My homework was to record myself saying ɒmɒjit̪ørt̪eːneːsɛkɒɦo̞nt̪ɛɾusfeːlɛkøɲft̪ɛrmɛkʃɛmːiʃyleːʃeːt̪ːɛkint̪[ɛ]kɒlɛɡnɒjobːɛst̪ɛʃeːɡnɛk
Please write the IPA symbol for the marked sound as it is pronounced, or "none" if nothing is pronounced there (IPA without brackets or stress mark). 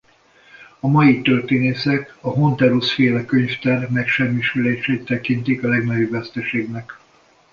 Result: i